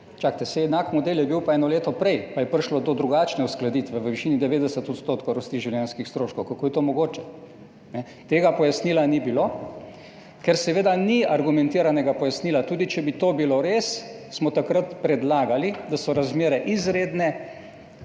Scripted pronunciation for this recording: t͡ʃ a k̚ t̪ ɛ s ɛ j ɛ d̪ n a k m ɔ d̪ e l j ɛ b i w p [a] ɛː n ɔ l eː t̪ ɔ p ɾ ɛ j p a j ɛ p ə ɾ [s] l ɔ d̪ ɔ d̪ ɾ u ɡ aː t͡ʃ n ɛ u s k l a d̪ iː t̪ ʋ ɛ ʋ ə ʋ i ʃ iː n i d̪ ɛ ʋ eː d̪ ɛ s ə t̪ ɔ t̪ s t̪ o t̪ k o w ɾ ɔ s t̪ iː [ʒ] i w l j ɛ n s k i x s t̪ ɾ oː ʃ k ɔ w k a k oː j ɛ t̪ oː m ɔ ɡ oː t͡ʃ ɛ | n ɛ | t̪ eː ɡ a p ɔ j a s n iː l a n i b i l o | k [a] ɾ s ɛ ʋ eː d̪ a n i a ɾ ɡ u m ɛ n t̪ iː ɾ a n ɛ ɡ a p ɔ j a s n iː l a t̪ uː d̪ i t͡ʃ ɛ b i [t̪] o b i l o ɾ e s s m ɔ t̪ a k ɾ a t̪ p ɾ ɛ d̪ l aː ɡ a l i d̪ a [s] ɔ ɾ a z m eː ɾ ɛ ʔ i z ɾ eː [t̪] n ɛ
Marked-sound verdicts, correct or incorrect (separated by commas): correct, incorrect, correct, incorrect, correct, correct, incorrect